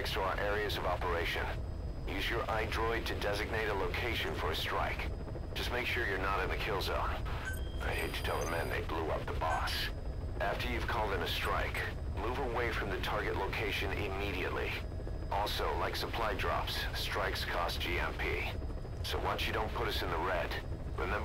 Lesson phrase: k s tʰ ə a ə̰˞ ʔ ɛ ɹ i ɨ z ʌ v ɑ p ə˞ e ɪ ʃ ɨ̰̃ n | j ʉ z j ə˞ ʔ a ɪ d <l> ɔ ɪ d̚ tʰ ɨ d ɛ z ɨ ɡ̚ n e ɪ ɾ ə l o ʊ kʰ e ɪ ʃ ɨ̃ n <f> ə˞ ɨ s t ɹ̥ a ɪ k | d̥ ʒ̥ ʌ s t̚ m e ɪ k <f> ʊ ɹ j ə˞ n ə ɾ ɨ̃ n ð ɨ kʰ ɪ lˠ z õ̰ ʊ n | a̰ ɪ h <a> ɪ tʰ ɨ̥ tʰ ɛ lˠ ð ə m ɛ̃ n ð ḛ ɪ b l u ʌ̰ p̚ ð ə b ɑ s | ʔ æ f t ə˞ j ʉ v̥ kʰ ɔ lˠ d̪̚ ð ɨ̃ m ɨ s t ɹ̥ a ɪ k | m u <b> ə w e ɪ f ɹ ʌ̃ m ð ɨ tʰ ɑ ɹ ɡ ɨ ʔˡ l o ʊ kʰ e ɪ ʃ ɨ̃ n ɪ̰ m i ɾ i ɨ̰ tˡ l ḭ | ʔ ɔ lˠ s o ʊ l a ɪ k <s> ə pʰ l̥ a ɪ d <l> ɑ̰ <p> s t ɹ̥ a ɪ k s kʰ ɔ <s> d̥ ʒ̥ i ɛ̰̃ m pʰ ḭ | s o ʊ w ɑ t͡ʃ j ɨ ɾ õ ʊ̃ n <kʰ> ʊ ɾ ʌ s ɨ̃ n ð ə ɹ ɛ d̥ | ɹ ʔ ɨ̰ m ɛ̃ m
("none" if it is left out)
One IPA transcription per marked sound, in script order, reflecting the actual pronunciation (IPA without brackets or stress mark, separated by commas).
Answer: ɹ, f, ʃ, e, v, s, ɹ, p, s, pʰ